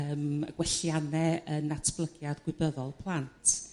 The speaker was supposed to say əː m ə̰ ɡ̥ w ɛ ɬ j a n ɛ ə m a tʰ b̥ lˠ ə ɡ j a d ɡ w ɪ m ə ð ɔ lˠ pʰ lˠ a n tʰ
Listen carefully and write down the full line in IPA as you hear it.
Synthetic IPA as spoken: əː m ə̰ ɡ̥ w ɛ ɬ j a n ɛ ə n a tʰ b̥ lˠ ə ɡ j a d ɡ w ɪ b ə ð ɔ lˠ pʰ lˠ a n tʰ